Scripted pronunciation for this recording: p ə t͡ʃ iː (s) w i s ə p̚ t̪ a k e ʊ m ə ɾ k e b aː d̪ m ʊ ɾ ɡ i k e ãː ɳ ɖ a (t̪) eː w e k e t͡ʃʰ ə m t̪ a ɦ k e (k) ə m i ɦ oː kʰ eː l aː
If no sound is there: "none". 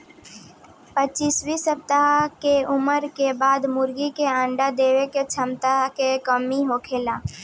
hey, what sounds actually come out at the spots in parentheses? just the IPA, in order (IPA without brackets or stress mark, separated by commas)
s, d̪, k